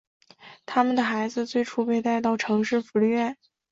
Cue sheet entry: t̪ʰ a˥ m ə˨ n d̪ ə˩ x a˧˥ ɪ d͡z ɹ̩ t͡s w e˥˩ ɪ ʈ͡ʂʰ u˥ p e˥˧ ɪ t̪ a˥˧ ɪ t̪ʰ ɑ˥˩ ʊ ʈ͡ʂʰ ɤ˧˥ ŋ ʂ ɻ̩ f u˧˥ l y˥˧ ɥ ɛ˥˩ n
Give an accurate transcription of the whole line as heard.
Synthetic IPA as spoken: t̪ʰ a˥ m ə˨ n d̪ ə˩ x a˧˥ ɪ d͡z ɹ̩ t͡s w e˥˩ ɪ ʈ͡ʂʰ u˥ p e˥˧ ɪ t̪ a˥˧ ɪ t̪ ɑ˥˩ ʊ ʈ͡ʂʰ ɤ˧˥ ŋ ʂ ɻ̩ f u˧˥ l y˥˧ ɥ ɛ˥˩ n